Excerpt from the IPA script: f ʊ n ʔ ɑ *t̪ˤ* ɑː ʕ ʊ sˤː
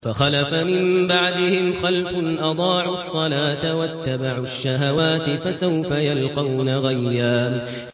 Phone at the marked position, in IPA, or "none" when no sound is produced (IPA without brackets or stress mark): d̪ˤ